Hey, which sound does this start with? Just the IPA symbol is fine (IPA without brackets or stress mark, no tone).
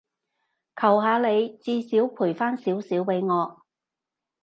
kʰ